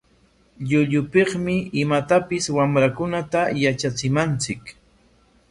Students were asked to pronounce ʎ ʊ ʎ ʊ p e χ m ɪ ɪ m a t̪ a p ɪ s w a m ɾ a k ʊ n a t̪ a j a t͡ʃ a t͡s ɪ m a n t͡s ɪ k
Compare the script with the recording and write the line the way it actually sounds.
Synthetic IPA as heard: ʎ ʊ ʎ ʊ p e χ m ɪ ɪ m a t̪ a p ɪ s w a m ɾ a k ʊ n a t̪ a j a t͡ʃ a t͡s ɪ m a n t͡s ɪ k